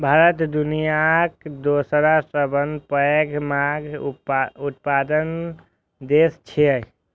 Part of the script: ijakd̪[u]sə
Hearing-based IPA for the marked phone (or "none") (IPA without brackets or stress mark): o